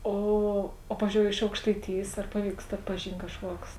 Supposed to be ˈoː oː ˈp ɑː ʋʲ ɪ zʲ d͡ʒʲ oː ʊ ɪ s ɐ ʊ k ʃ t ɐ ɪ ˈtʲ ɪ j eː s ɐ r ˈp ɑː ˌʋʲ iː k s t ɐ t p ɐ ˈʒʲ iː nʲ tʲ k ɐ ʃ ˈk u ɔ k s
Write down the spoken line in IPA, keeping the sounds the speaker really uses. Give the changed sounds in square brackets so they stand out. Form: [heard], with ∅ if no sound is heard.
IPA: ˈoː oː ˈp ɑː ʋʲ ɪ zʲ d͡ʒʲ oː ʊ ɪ [ʃ] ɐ ʊ k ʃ t ɐ ɪ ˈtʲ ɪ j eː s ɐ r ˈp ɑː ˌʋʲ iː k s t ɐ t p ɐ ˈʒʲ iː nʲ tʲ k ɐ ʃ ˈk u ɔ k s